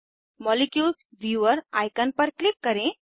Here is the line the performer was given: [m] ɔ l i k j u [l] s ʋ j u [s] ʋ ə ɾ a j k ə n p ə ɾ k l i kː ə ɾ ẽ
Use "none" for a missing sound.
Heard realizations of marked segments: m, l, none

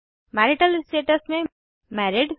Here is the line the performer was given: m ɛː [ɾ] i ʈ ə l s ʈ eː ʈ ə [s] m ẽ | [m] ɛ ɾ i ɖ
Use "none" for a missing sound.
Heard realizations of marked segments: ɾ, s, m

